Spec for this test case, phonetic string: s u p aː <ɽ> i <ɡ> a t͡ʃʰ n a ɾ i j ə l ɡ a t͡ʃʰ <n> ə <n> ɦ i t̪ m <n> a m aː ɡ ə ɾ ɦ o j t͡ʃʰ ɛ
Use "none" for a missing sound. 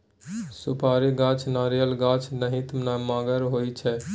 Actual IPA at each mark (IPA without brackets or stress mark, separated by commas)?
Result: ɾ, ɡ, n, none, n